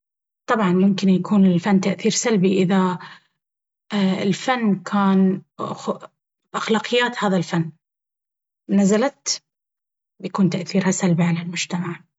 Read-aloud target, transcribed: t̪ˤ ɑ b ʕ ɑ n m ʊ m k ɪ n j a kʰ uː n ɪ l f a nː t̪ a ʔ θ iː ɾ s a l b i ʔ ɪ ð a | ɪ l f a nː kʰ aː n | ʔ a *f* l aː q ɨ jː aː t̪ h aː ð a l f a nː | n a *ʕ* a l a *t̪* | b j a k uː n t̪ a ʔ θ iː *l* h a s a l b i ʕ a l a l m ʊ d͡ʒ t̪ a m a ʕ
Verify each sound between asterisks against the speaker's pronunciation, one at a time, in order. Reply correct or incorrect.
incorrect: x, incorrect: z, correct, incorrect: ɾ

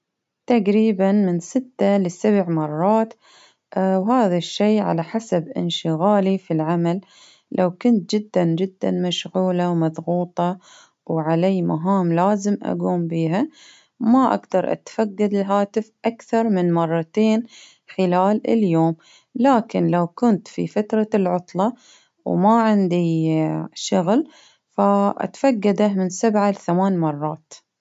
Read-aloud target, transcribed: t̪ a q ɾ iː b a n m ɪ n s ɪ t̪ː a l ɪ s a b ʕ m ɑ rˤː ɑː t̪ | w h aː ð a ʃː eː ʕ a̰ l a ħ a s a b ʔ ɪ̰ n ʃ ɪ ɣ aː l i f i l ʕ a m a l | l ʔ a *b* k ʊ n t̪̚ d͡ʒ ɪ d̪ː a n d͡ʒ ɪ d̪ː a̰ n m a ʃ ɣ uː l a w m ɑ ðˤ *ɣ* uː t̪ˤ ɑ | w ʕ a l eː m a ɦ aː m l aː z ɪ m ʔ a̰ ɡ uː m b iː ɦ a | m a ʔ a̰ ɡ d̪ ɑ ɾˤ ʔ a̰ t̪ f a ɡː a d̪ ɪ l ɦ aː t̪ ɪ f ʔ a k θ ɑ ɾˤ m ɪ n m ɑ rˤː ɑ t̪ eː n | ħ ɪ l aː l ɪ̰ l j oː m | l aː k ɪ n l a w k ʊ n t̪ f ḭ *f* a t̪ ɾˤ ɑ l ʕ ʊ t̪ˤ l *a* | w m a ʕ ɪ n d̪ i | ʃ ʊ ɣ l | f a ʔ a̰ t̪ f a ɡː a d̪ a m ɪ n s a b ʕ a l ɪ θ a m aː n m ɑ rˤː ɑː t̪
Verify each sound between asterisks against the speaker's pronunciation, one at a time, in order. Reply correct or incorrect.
incorrect: w, correct, correct, incorrect: ɑ

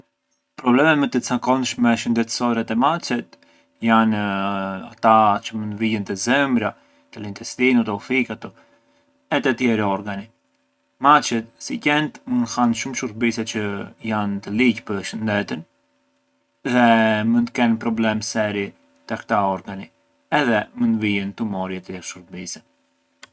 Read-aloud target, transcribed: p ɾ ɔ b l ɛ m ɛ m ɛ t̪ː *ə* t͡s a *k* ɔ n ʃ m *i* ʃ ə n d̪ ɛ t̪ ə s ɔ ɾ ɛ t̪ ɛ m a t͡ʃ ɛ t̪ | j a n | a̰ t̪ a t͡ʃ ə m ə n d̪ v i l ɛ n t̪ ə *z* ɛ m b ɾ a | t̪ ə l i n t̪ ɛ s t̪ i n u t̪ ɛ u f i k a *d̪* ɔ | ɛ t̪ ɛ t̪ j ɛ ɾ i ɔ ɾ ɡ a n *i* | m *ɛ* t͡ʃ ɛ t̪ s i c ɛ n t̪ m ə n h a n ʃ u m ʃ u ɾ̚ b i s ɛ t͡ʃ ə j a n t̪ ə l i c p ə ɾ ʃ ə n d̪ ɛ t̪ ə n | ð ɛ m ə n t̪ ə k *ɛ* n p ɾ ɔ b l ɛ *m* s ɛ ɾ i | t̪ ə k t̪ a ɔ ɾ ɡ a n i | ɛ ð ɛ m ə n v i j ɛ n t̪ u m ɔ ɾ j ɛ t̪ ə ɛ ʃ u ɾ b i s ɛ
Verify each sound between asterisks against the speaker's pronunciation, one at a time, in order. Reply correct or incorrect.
correct, correct, incorrect: ɛ, correct, incorrect: t̪, correct, incorrect: a, correct, correct

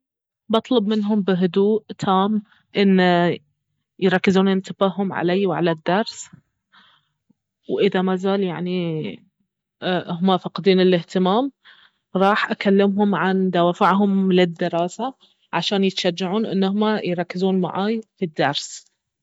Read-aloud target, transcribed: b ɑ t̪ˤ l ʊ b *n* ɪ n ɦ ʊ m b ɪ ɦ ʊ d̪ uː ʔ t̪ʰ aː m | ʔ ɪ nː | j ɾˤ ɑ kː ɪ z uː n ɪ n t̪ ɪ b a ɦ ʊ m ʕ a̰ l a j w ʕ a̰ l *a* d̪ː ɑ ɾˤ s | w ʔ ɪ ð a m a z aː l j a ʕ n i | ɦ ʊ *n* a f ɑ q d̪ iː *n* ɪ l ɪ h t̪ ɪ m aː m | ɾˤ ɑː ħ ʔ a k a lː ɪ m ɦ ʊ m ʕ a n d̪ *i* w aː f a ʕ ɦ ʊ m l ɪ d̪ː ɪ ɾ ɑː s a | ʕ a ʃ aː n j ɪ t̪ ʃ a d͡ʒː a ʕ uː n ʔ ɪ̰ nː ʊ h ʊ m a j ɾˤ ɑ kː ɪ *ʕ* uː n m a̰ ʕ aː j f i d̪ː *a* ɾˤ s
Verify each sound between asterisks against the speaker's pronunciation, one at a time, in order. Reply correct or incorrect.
incorrect: m, correct, incorrect: m, correct, incorrect: a, incorrect: z, incorrect: ɑ

